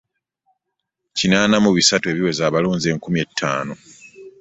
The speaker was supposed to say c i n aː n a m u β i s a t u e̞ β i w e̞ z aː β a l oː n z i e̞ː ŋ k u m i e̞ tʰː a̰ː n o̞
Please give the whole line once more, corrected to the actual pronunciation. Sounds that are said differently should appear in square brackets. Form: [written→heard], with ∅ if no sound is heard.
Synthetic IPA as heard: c i n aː n a m u β i s a t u e̞ β i w e̞ z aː β a l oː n z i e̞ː ŋ k u m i e̞ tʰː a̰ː n o̞